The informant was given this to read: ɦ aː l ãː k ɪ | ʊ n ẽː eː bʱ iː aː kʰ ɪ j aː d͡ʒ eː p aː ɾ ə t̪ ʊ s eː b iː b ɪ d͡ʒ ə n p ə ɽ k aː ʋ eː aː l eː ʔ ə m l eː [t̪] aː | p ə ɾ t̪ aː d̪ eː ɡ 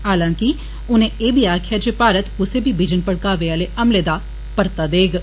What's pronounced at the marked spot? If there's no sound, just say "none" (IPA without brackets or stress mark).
d̪